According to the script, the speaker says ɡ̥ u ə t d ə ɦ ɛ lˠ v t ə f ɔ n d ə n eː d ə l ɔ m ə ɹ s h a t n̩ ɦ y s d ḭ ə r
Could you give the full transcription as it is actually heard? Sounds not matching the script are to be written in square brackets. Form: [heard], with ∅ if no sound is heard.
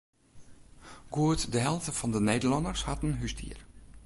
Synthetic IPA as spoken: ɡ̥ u ə t d ə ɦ ɛ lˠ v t ə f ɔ n d ə n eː d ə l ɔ [n] ə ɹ s h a t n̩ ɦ y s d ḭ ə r